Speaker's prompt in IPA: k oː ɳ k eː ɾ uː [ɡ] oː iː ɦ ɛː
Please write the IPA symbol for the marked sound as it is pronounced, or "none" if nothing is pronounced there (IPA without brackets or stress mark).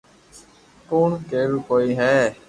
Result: k